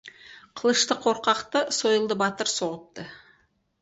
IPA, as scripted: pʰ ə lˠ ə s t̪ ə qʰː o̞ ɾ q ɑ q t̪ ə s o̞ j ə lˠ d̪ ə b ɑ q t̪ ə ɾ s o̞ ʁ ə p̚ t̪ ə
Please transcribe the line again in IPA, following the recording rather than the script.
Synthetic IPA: qʰ ə lˠ ə ʃ t̪ ə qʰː o̞ ɾ q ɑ q t̪ ə s o̞ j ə lˠ d̪ ə b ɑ t̪ ə ɾ s o̞ ʁ ə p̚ t̪ ə